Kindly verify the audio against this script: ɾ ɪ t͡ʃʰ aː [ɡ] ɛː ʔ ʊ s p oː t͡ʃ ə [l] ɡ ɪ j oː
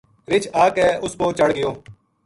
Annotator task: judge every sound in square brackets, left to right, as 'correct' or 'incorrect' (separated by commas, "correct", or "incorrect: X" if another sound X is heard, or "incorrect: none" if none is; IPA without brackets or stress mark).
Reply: incorrect: k, incorrect: ɽ